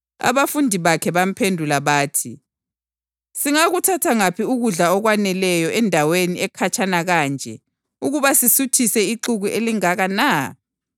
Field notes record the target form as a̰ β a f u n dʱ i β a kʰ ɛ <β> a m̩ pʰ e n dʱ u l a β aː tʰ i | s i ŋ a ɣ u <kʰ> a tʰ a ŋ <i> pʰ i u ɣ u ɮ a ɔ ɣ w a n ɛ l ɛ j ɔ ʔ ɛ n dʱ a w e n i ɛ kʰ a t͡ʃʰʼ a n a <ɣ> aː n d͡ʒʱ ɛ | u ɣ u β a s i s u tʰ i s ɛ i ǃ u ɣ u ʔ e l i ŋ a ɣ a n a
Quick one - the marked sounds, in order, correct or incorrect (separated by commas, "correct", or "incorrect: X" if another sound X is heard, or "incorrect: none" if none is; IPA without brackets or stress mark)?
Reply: correct, incorrect: tʰ, incorrect: a, correct